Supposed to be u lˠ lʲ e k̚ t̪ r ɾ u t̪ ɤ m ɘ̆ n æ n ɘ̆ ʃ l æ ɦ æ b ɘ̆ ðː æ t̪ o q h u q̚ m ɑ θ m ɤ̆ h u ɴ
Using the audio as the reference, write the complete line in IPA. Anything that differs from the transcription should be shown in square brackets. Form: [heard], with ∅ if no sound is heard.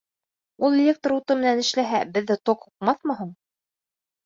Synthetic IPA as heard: u lˠ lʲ e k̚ t̪ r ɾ u t̪ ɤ m ɘ̆ n æ n ɘ̆ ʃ l æ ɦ æ b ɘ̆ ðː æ t̪ o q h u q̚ m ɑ θ m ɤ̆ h u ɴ

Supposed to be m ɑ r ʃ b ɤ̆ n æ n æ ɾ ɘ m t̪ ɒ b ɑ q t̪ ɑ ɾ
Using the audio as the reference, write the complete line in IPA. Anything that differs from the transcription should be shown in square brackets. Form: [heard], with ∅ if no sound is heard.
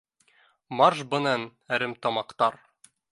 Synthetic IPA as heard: m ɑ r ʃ b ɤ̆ n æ n æ ɾ ɘ m t̪ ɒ [m] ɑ q t̪ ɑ ɾ

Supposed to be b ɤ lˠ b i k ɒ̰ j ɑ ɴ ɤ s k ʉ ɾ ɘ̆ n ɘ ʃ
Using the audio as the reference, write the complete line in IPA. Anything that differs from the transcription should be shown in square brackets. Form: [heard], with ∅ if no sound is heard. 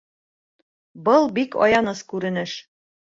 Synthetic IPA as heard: b ɤ lˠ b i k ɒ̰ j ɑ [n] ɤ s k ʉ ɾ ɘ̆ n ɘ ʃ

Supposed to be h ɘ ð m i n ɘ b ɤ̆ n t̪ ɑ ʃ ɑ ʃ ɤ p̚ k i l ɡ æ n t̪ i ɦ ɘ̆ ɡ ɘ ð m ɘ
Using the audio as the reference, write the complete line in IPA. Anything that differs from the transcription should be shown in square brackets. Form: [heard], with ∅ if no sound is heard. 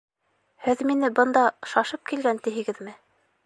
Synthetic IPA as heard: h ɘ ð m i n ɘ b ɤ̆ n [d̪] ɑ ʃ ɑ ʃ ɤ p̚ k i l ɡ æ n t̪ i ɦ ɘ̆ ɡ ɘ ð m ɘ

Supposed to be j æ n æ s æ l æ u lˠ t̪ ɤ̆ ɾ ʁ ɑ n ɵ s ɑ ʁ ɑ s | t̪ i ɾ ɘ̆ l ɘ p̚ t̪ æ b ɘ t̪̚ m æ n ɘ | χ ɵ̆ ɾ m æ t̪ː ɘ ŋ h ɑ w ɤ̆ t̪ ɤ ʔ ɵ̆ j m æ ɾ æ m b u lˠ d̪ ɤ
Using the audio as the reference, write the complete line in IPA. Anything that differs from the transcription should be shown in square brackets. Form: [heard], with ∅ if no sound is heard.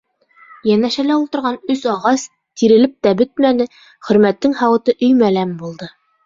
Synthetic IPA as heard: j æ n æ [ʃ] æ l æ u lˠ t̪ ɤ̆ ɾ ʁ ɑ n ɵ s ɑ ʁ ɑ s | t̪ i ɾ ɘ̆ l ɘ p̚ t̪ æ b ɘ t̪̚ m æ n ɘ | χ ɵ̆ ɾ m æ t̪ː ɘ ŋ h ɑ w ɤ̆ t̪ ɤ ʔ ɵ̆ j m æ [l] æ m b u lˠ d̪ ɤ

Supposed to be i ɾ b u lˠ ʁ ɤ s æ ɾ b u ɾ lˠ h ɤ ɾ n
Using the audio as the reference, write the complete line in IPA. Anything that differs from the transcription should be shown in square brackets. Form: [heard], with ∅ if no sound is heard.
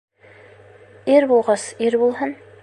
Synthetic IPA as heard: i ɾ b u lˠ ʁ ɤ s [i] ɾ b u [∅] lˠ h ɤ [∅] n

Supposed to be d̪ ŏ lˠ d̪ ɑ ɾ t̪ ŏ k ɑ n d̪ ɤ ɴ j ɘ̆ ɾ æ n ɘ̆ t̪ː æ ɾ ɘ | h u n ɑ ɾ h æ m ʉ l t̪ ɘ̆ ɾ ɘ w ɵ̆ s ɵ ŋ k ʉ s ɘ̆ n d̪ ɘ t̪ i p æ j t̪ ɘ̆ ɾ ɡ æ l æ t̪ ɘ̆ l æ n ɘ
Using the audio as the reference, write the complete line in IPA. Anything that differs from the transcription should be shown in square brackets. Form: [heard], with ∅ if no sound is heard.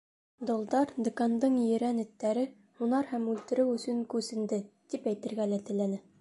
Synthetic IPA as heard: d̪ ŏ lˠ d̪ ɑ ɾ [d̪] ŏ k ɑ n d̪ ɤ ɴ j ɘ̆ ɾ æ n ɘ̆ t̪ː æ ɾ ɘ | h u n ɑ ɾ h æ m ʉ l t̪ ɘ̆ ɾ ɘ w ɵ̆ s ɵ ŋ k ʉ s ɘ̆ n d̪ ɘ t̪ i p æ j t̪ ɘ̆ ɾ ɡ æ l æ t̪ ɘ̆ l æ n ɘ

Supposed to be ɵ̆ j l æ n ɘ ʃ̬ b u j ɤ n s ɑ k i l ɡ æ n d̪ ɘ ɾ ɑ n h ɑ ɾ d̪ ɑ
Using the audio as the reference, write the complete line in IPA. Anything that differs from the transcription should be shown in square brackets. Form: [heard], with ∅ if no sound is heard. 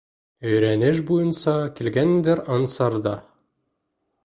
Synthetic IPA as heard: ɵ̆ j [ɾ] æ n ɘ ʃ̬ b u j ɤ n s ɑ k i l ɡ æ n d̪ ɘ ɾ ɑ n [s] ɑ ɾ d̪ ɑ

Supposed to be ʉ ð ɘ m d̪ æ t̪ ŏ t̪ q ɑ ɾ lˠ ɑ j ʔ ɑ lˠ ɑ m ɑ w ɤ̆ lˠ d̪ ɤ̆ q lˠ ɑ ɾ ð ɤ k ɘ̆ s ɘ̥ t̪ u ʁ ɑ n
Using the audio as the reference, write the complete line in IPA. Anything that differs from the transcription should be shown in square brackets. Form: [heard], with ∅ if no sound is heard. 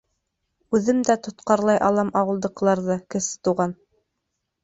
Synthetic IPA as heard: ʉ ð ɘ m d̪ æ t̪ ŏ t̪ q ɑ ɾ lˠ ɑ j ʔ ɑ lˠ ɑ m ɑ w ɤ̆ lˠ d̪ ɤ̆ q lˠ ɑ ɾ ð ɤ k ɘ̆ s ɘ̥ t̪ u ʁ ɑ n

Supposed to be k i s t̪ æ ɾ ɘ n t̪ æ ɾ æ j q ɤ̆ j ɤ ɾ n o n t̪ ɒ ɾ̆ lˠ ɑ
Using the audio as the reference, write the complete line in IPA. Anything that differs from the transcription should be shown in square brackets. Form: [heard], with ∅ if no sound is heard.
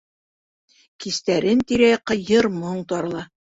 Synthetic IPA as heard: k i s t̪ æ ɾ ɘ n t̪ [i] ɾ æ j q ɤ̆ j ɤ ɾ [m] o [ɴ] t̪ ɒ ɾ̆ lˠ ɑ

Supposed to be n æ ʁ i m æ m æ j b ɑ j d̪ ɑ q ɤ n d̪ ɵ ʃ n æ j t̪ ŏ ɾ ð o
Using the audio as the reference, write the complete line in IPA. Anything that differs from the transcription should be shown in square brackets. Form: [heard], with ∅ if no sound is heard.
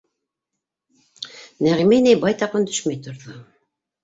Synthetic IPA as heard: n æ ʁ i m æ [n] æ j b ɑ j [t̪] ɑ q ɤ n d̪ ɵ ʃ [m] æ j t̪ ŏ ɾ ð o

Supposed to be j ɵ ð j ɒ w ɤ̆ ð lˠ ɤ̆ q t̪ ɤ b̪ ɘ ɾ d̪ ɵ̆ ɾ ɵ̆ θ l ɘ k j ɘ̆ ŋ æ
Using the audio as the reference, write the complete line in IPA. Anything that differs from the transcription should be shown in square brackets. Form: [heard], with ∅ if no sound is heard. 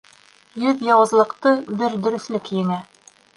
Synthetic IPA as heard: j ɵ ð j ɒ w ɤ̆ [z] lˠ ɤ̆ q t̪ ɤ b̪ ɘ ɾ d̪ ɵ̆ ɾ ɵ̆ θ l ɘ k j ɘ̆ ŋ æ

